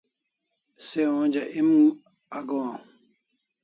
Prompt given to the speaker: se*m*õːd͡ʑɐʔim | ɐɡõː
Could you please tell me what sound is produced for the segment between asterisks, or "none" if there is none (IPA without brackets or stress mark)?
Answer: none